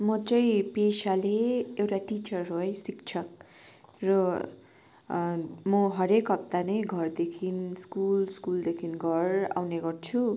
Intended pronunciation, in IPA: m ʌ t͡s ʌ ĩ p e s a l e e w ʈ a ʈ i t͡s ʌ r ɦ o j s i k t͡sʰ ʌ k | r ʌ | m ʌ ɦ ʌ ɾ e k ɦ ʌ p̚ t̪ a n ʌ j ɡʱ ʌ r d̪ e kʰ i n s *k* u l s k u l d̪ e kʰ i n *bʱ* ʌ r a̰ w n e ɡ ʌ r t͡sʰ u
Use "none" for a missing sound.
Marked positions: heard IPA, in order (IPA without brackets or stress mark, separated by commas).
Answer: k, ɡʱ